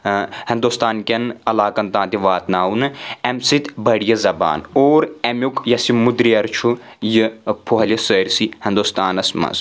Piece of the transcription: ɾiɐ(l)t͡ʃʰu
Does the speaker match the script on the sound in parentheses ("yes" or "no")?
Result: no